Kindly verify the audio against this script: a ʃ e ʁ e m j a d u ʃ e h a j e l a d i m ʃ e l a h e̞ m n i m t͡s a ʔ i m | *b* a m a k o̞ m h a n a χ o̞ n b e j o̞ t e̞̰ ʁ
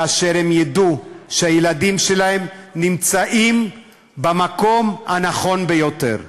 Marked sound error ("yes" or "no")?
no